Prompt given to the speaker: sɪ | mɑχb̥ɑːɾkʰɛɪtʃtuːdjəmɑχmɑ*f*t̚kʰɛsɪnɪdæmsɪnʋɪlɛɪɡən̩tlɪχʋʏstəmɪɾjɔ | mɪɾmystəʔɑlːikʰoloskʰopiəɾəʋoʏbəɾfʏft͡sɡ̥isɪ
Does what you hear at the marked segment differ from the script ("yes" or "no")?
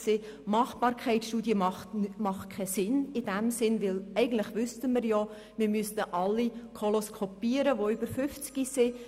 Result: yes